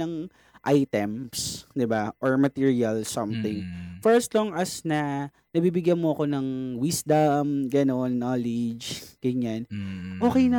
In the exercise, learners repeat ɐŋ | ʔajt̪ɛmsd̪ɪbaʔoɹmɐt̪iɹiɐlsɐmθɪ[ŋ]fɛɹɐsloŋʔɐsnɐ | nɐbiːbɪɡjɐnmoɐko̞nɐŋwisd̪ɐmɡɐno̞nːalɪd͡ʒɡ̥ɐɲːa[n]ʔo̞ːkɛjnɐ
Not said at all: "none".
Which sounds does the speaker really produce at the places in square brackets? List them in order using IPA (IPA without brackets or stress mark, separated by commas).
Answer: ŋ, n